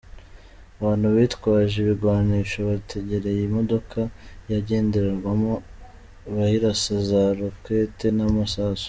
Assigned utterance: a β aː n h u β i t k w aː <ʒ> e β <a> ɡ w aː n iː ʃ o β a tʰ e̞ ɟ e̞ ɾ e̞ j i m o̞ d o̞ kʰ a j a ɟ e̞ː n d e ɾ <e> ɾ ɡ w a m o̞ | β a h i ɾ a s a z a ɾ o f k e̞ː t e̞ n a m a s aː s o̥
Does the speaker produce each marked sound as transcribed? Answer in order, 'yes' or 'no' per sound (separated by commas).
yes, no, yes